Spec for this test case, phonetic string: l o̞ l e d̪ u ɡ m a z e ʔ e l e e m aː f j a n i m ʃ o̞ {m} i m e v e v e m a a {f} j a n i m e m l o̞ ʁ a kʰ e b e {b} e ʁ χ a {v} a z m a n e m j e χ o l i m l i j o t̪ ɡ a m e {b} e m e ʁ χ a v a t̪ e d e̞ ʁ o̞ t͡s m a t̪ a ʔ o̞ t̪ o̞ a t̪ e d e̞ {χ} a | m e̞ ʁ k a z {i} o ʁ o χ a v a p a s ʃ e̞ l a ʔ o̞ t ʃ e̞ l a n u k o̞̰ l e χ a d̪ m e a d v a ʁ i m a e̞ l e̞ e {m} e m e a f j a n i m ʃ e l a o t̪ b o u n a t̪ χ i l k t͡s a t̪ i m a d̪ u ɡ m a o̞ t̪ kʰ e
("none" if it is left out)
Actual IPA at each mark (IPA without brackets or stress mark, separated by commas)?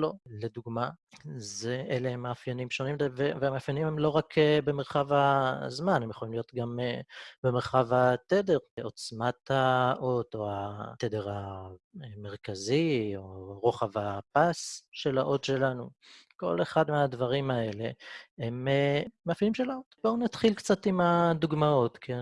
n, f, m, v, b, ʁ, i, m